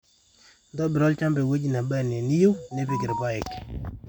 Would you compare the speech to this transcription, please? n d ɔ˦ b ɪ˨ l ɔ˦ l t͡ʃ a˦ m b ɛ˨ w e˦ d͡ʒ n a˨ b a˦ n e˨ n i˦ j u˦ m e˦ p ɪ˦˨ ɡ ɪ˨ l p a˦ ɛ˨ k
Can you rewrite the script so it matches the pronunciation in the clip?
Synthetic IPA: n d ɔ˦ b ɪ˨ ɾ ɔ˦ l t͡ʃ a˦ m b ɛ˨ w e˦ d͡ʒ n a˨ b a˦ n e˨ n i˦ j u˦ n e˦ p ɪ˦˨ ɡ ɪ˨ ɾ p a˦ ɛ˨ k